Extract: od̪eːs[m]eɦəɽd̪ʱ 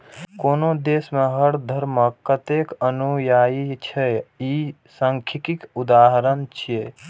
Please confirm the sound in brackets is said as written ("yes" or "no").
yes